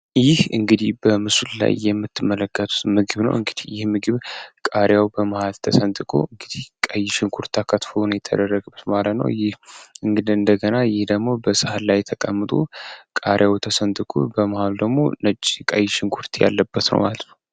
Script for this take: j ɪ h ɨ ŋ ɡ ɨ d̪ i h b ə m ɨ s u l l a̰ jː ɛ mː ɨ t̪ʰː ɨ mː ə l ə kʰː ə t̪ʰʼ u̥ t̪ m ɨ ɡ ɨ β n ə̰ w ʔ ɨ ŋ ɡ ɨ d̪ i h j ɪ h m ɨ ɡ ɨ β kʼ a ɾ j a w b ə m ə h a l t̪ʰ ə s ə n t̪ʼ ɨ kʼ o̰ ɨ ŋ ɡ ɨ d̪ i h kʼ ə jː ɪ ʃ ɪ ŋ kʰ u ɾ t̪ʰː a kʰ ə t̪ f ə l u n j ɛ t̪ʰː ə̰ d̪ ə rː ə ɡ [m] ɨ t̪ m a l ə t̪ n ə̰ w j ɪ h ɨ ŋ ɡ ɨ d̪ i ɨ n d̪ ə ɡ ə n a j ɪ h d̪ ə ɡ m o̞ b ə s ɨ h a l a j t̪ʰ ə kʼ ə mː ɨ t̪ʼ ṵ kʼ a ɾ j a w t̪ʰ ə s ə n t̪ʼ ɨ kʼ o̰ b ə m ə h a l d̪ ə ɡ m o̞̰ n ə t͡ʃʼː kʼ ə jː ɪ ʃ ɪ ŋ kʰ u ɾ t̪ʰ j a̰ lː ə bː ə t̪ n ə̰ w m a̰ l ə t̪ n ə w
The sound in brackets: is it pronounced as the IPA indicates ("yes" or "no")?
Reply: no